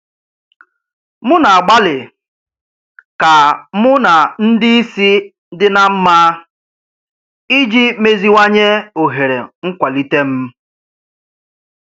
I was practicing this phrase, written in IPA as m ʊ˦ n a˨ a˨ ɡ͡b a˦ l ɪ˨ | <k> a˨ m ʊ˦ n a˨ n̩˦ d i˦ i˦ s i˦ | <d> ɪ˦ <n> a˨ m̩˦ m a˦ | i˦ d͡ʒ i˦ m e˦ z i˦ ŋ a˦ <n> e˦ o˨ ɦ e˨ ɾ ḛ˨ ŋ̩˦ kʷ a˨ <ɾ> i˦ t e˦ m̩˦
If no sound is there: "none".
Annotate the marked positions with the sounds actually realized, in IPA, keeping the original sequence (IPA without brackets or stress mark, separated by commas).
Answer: k, d, n, ɲ, l